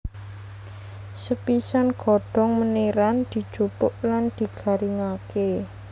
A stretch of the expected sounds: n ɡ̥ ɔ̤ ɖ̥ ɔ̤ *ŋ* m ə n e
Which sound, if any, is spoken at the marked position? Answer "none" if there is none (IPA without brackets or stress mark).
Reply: ŋ